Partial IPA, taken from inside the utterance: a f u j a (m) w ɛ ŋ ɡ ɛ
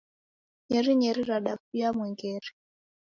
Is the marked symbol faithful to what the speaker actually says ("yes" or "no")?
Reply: yes